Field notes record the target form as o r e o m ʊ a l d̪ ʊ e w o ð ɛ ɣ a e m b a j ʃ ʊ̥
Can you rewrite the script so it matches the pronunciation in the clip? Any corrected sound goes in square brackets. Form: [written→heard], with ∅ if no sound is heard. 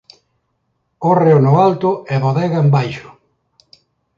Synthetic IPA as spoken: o r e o [m→n] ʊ a l [d̪→t̪] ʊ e [w→β] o ð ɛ ɣ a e m b a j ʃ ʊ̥